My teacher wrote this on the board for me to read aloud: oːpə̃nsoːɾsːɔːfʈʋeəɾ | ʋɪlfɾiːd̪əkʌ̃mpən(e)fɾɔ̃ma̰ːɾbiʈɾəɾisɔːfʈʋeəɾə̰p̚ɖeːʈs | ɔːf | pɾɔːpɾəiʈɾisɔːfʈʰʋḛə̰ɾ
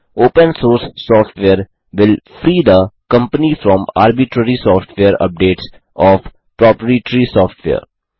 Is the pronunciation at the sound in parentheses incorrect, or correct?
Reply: incorrect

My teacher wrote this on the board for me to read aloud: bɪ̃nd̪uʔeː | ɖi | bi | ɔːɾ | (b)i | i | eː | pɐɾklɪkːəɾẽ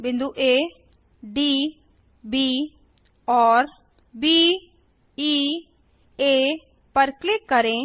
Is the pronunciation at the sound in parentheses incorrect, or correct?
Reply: correct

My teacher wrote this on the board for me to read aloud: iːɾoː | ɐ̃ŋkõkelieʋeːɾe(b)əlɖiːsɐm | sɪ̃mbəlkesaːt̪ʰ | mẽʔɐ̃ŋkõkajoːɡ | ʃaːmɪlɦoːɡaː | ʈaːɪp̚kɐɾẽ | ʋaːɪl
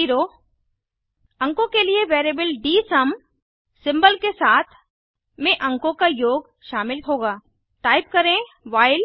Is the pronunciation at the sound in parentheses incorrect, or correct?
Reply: correct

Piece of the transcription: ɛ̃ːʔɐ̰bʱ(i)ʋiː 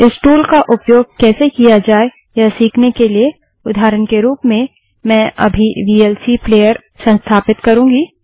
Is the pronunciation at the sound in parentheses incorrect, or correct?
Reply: correct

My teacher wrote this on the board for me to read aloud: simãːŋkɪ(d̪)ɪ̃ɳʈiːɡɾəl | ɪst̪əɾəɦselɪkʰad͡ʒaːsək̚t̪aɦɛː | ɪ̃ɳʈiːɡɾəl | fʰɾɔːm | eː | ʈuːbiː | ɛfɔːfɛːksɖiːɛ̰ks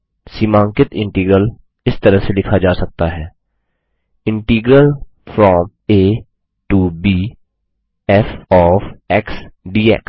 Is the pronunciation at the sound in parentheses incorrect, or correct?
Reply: incorrect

